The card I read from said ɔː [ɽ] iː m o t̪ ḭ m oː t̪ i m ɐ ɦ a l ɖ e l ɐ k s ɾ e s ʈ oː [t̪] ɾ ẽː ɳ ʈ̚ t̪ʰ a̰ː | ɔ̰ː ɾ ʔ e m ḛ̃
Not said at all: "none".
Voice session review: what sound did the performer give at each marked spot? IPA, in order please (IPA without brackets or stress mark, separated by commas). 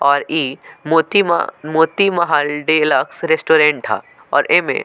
ɾ, none